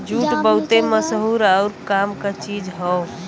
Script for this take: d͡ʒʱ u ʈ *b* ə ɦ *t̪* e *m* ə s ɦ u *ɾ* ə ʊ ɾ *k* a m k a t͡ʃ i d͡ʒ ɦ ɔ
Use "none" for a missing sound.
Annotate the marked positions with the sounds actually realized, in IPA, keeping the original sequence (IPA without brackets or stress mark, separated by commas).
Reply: b, t̪, m, ɾ, k